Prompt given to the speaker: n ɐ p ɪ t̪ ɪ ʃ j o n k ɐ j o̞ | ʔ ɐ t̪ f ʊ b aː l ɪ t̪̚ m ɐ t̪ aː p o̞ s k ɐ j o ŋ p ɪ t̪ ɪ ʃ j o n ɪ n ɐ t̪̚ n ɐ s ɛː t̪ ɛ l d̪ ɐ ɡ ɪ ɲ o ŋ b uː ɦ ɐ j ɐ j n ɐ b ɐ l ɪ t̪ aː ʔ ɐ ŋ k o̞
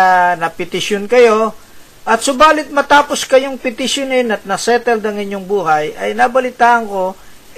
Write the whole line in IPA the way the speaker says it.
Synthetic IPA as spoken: n ɐ p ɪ t̪ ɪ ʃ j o n k ɐ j o̞ | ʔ ɐ t̪ s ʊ b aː l ɪ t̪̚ m ɐ t̪ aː p o̞ s k ɐ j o ŋ p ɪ t̪ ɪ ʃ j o n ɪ n ɐ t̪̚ n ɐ s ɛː t̪ ɛ l d̪ ɐ ŋ ɪ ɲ o ŋ b uː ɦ ɐ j ɐ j n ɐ b ɐ l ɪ t̪ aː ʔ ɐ ŋ k o̞